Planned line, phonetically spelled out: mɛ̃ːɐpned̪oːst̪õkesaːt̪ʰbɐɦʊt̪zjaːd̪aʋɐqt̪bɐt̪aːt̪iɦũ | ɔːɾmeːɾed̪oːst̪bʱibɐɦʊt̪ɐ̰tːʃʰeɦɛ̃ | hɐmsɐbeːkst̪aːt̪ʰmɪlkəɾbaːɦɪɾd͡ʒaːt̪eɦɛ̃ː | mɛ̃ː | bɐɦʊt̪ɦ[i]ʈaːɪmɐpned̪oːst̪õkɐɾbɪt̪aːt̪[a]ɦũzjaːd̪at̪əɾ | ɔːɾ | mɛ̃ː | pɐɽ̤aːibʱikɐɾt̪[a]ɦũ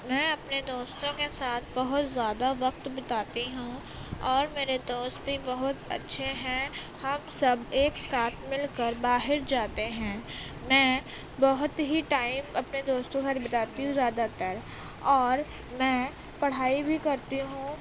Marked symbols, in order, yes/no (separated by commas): yes, no, no